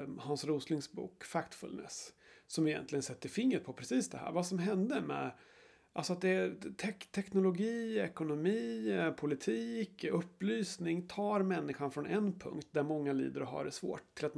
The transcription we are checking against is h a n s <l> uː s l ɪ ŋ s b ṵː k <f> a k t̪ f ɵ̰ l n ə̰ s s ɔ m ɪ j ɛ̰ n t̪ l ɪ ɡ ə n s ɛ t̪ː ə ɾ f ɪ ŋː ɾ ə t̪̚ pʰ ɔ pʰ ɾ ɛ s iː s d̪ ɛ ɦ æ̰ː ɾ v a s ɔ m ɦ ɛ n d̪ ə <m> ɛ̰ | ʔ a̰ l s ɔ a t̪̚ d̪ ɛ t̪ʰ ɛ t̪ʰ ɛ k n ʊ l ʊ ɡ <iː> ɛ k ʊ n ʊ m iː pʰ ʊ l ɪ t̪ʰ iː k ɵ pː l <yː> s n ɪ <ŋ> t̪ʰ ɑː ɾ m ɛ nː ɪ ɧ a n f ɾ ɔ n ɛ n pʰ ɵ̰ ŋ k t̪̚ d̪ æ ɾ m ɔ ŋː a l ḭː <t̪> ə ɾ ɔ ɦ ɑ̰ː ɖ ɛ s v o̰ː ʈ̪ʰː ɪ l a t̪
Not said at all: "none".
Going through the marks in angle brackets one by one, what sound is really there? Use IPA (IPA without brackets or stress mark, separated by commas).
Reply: ɾ, f, m, iː, yː, ŋ, d̪